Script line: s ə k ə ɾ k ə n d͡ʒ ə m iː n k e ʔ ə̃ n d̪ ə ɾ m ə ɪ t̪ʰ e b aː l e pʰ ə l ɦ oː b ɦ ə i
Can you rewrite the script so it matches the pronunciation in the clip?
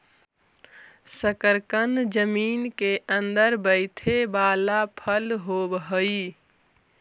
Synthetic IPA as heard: s ə k ə ɾ k ə n d͡ʒ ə m iː n k e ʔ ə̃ n d̪ ə ɾ b ə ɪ t̪ʰ e b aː l a pʰ ə l ɦ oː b ɦ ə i